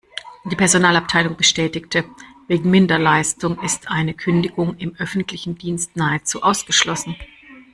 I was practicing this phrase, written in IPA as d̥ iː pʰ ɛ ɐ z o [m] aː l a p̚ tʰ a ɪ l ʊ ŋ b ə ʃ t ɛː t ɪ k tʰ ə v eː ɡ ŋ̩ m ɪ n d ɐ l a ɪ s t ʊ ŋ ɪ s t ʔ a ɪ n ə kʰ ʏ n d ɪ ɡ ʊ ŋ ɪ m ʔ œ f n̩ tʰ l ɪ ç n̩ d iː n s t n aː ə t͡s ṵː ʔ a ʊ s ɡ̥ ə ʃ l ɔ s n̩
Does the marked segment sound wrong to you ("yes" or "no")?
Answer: yes